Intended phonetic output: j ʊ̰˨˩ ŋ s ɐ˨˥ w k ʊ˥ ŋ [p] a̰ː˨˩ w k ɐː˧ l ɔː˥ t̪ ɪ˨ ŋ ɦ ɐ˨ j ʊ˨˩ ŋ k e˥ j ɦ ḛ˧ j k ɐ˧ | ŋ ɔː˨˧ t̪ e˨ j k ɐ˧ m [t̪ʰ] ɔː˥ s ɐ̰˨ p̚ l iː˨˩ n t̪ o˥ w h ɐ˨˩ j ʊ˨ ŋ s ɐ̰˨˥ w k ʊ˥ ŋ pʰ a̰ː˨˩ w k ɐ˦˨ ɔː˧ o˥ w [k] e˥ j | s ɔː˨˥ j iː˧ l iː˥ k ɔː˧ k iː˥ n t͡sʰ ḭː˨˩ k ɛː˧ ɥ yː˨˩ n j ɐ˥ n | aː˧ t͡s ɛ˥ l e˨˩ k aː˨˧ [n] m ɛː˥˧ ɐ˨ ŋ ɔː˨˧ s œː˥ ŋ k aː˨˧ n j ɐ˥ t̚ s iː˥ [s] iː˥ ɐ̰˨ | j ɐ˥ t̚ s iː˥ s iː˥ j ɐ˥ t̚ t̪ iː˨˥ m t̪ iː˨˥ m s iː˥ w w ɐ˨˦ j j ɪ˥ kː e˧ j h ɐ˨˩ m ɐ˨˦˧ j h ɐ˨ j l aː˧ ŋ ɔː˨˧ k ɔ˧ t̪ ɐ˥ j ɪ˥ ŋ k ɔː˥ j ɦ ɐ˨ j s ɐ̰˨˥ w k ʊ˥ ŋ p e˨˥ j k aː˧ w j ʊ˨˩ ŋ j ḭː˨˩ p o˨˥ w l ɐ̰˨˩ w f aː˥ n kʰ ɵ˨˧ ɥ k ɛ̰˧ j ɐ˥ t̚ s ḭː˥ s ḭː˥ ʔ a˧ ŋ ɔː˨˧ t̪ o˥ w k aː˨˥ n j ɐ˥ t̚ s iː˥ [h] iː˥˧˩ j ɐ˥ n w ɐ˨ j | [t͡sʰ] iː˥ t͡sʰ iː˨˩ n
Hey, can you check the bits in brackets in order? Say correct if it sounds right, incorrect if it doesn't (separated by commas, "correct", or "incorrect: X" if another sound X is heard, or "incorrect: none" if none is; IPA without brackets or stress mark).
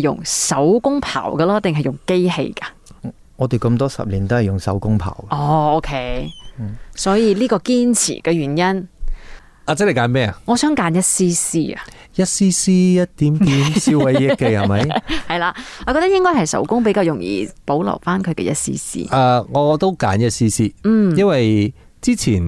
incorrect: pʰ, incorrect: t̪, incorrect: kʰ, correct, correct, incorrect: s, incorrect: t͡s